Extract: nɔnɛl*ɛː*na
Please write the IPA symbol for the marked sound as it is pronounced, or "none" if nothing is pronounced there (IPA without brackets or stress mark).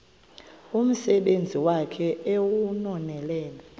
ɛː